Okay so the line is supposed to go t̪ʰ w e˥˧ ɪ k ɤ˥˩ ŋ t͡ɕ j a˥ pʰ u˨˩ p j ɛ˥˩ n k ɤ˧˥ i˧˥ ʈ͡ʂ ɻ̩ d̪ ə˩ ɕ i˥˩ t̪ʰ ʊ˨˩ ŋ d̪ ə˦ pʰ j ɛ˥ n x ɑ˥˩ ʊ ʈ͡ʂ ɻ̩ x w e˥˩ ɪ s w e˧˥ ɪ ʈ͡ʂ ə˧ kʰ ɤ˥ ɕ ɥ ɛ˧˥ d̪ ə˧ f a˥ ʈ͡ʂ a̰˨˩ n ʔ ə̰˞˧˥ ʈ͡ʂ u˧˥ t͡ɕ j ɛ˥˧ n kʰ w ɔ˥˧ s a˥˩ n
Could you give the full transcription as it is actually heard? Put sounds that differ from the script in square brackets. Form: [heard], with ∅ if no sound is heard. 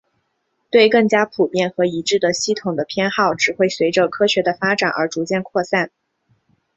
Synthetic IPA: [t̪] w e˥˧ ɪ k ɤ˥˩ ŋ t͡ɕ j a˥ pʰ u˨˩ p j ɛ˥˩ n [x] ɤ˧˥ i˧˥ ʈ͡ʂ ɻ̩ d̪ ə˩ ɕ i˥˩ t̪ʰ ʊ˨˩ ŋ d̪ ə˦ pʰ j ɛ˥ n x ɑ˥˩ ʊ ʈ͡ʂ ɻ̩ x w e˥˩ ɪ s w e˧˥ ɪ ʈ͡ʂ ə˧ kʰ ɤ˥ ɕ ɥ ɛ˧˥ d̪ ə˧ f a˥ ʈ͡ʂ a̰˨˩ n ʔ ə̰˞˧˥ ʈ͡ʂ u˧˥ t͡ɕ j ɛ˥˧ n kʰ w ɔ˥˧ s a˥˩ n